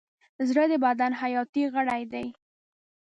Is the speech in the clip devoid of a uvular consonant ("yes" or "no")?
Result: yes